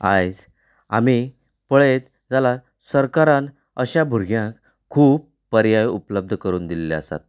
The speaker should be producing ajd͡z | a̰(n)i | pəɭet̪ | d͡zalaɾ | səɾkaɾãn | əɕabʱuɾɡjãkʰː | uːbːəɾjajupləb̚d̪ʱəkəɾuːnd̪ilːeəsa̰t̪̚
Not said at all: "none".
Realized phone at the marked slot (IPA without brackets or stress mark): m